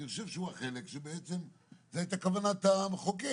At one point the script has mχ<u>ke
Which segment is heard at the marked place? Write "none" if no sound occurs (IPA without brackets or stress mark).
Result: o